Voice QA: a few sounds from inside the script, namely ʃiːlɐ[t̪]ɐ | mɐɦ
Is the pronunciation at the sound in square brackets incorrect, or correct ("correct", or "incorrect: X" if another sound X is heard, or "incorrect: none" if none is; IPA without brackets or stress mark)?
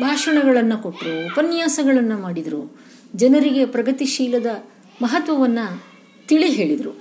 incorrect: d̪